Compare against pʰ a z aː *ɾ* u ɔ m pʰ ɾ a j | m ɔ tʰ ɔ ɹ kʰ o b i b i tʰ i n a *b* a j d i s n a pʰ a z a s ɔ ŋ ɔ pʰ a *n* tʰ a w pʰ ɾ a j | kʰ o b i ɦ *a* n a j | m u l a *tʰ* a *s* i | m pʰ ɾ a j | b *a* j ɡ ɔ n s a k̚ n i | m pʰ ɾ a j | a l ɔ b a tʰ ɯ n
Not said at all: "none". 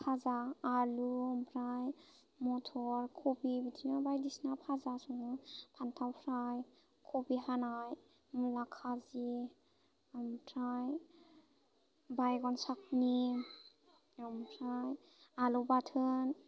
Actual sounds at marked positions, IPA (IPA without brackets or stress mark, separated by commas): l, b, n, a, kʰ, z, a